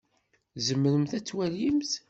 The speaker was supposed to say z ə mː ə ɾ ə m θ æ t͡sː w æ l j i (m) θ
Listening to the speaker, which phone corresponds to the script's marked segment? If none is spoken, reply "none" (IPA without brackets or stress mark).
m